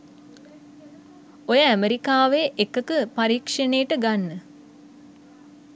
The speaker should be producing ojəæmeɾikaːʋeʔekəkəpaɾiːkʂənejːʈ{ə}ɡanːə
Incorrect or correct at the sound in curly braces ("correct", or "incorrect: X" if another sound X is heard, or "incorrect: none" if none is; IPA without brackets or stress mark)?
correct